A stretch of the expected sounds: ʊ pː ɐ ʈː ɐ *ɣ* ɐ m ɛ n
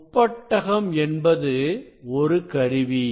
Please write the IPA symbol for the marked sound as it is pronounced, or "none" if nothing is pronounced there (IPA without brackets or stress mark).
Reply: ɣ